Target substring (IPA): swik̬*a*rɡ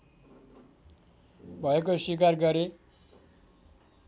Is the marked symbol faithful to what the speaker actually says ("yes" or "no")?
yes